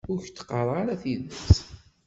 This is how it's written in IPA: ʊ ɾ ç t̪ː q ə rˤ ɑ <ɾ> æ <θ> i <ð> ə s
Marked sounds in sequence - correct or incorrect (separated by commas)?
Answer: correct, correct, correct